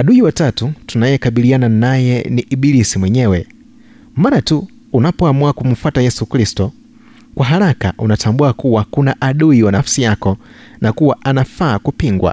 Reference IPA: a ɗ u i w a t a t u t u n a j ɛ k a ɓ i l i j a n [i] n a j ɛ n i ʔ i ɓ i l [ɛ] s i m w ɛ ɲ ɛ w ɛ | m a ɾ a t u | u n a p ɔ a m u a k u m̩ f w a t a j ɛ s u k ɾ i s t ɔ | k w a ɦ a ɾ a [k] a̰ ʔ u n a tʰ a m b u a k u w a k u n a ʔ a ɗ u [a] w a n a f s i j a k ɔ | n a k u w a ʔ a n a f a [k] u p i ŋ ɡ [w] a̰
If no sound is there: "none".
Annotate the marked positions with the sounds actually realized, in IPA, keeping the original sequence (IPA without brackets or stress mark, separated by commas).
a, i, k, i, k, w